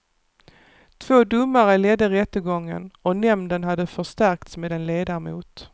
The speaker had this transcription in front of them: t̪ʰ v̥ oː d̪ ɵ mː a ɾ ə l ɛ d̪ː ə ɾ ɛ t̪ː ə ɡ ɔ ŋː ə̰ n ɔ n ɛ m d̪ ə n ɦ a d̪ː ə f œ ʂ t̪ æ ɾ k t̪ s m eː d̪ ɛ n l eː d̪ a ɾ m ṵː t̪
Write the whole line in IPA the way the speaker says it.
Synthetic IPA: t̪ʰ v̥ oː d̪ ɵ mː a ɾ ə l ɛ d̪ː ə ɾ ɛ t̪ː ə ɡ ɔ ŋː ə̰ n ɔ n ɛ m d̪ ə n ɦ a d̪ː ə f œ ʂ t̪ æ ɾ k t̪ s m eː d̪ ɛ n l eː d̪ a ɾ m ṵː t̪